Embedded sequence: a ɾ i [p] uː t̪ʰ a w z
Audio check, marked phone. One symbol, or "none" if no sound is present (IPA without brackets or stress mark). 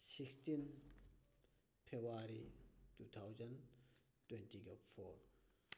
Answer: t